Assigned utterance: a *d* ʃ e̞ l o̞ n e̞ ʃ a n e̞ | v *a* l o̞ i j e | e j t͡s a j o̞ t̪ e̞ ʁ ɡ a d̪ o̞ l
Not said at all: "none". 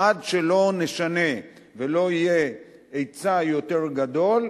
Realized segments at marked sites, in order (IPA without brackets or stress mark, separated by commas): d, e